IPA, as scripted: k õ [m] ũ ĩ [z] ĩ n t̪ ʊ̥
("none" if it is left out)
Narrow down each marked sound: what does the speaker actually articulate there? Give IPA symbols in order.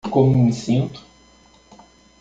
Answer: m, s

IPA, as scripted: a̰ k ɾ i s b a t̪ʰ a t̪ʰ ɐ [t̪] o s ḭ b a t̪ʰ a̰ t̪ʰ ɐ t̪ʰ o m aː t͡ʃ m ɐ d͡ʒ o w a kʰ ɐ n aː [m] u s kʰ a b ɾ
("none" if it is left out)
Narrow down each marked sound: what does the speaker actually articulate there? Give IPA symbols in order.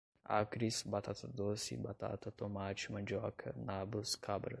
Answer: d̪, b

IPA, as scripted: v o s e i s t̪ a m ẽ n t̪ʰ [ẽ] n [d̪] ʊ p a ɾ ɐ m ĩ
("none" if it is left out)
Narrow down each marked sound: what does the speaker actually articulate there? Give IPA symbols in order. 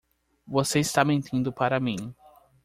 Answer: ĩ, d̪

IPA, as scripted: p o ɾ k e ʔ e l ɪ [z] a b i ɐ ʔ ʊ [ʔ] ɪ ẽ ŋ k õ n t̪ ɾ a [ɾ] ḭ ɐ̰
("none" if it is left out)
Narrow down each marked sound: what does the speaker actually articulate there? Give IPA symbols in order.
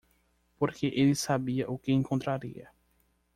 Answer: s, k, ɾ

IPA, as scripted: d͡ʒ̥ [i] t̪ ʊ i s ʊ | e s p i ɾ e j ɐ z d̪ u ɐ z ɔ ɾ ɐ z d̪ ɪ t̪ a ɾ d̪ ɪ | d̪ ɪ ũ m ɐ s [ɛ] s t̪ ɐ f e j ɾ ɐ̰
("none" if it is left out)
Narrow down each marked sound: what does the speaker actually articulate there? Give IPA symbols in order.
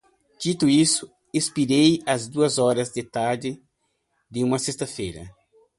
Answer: i, e

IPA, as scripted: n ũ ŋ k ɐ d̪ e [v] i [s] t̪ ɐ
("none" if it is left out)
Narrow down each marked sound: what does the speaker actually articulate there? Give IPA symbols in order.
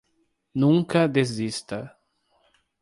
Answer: z, s

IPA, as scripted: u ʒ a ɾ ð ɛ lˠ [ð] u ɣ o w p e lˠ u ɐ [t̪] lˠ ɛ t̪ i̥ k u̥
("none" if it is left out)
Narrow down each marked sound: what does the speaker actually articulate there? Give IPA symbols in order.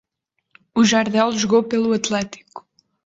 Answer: ʒ, t̪

